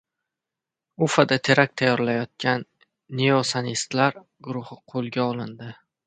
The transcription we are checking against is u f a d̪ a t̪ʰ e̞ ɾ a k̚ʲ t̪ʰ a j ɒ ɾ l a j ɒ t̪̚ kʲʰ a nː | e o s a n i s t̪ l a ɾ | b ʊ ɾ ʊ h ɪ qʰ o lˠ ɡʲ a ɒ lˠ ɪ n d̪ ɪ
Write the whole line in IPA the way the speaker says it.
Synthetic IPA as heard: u f a d̪ a t̪ʰ e̞ ɾ a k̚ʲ t̪ʰ a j ɒ ɾ l a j ɒ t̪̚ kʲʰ a nː | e o s a n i s t̪ l a ɾ | ɡ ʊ ɾ ʊ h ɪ qʰ o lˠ ɡʲ a ɒ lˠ ɪ n d̪ ɪ